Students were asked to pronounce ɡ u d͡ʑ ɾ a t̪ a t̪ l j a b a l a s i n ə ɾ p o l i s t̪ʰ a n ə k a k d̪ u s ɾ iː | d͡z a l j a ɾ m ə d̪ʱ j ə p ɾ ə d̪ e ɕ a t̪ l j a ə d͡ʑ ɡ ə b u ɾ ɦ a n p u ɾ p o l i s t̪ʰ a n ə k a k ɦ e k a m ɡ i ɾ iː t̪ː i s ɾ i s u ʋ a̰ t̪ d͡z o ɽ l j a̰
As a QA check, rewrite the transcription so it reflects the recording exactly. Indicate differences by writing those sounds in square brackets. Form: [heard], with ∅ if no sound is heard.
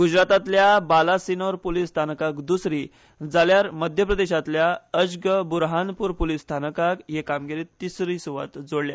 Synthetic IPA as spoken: ɡ u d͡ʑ ɾ a t̪ a t̪ l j a b a l a s i n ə ɾ p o l i s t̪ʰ a n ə k a k d̪ u s ɾ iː | d͡z a l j a ɾ m ə d̪ʱ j ə p ɾ ə d̪ e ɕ a t̪ l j a ə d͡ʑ ɡ ə b u ɾ ɦ a n p u ɾ p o l i s t̪ʰ a n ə k a k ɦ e k a m ɡ i ɾ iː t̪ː i s ɾ i s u ʋ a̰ t̪ d͡z o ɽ l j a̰